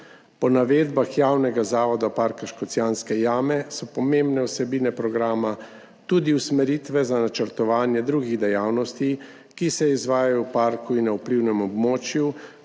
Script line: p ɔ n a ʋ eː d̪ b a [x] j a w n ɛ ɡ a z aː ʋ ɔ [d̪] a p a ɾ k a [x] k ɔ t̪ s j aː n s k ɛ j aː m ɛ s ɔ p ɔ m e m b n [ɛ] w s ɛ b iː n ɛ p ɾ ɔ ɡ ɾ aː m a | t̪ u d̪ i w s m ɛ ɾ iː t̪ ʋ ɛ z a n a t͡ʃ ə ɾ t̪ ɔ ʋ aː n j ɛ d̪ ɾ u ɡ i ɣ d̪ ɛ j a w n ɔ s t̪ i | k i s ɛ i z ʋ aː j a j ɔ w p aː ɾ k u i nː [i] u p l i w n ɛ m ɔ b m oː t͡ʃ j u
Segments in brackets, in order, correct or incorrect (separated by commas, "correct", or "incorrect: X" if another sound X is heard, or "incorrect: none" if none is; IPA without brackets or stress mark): correct, correct, incorrect: ʃ, correct, incorrect: a